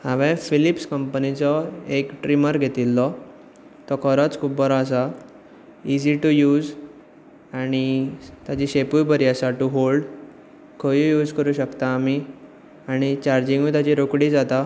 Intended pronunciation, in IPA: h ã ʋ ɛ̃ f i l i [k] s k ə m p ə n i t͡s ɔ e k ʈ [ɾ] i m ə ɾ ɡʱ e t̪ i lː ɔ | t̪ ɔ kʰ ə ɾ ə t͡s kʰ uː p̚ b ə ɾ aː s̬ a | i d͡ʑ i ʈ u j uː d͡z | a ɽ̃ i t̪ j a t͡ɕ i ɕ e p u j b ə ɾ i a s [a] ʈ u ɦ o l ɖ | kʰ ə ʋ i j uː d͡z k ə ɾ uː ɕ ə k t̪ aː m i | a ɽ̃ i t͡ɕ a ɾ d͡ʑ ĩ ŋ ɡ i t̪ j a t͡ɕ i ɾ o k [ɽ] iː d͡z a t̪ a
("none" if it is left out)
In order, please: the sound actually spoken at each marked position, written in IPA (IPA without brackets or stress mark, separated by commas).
p, ɾ, a, ɽ